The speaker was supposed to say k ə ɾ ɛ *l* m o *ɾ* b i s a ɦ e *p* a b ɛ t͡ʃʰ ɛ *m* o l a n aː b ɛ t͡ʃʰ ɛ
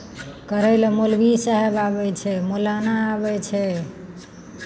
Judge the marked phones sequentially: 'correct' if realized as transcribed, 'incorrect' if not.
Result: correct, incorrect: l, incorrect: b, correct

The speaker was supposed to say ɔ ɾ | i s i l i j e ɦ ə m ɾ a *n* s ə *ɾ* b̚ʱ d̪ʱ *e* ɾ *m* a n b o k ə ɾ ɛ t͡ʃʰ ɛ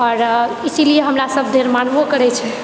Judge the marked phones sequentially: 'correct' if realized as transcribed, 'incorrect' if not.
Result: incorrect: none, incorrect: none, correct, correct

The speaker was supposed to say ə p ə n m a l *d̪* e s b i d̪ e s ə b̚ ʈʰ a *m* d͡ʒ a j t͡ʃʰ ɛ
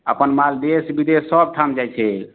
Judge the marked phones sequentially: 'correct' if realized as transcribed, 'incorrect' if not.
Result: correct, correct

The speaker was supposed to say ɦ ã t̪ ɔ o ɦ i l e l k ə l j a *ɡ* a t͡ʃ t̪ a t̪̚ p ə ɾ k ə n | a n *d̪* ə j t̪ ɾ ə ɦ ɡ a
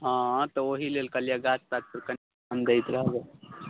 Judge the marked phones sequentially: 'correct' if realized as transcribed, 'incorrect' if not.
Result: correct, correct

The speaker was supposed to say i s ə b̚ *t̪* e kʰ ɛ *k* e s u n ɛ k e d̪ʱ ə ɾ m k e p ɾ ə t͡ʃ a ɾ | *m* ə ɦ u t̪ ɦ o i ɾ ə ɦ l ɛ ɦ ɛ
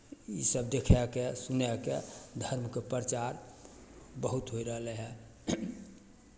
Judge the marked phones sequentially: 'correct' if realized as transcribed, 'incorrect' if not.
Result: incorrect: d̪, correct, incorrect: b

